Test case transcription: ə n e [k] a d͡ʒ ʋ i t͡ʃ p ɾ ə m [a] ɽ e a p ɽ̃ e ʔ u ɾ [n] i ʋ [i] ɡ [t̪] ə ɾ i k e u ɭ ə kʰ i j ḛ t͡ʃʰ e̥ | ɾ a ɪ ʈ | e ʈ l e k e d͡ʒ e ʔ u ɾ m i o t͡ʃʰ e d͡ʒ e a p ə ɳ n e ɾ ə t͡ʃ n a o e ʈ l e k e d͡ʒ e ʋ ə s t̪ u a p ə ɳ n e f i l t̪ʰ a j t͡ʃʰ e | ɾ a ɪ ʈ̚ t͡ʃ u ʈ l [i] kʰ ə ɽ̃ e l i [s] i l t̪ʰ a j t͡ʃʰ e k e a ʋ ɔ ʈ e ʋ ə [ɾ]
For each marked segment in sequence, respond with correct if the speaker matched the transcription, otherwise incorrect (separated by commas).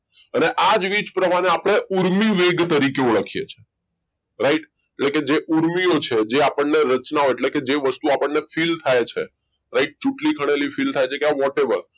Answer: incorrect, correct, incorrect, incorrect, correct, correct, incorrect, correct